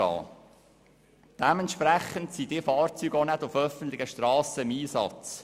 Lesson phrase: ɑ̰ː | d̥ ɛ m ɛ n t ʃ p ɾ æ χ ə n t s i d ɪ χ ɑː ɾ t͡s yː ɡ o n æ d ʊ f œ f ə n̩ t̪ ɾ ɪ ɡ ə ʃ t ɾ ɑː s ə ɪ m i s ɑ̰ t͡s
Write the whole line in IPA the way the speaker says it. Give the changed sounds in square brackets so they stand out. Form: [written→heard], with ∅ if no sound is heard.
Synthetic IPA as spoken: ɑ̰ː | d̥ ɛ m ɛ n t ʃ p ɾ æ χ ə n t s i d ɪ [χ→f] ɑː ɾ t͡s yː ɡ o n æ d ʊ f œ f ə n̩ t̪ [ɾ→l] ɪ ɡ ə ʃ t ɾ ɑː s ə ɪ m [i→iː] s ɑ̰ t͡s